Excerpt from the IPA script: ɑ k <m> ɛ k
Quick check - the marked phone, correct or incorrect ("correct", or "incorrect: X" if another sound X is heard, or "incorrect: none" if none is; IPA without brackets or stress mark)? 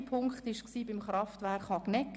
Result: incorrect: n